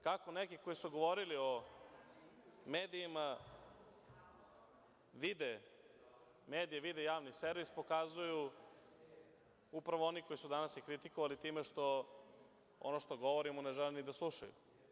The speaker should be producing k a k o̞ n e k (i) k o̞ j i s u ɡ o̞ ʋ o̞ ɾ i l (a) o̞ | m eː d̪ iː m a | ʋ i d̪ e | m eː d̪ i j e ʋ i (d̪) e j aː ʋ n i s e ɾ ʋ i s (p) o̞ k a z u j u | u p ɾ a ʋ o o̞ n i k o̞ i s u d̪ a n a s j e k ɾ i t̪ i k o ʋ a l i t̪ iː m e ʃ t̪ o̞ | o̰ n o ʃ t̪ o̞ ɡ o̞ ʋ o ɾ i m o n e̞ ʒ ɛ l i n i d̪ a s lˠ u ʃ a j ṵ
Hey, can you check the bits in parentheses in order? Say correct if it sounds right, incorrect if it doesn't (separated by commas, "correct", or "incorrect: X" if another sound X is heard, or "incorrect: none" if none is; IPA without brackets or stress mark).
correct, incorrect: i, correct, correct